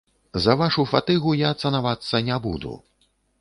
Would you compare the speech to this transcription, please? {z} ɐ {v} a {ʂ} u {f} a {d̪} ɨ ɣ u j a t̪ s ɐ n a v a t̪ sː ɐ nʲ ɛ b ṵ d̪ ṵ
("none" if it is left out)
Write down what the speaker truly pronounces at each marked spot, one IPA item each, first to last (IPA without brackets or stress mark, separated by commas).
z, v, ʂ, f, t̪